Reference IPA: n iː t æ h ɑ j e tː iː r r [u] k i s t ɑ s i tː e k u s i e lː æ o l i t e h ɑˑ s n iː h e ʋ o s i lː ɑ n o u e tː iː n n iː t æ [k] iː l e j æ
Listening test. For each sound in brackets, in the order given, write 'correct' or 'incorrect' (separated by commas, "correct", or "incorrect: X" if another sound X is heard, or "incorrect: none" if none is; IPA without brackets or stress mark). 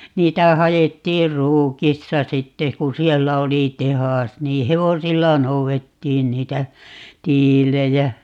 incorrect: uː, incorrect: t